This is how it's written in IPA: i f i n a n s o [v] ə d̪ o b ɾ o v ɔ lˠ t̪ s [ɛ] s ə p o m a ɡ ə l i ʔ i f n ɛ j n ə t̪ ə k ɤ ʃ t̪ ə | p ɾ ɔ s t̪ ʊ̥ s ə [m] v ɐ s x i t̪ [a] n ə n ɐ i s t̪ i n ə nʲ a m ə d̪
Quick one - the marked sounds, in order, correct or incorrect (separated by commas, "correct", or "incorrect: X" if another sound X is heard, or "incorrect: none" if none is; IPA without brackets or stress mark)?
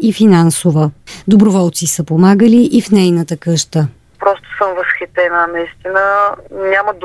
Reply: correct, incorrect: i, correct, incorrect: ɛ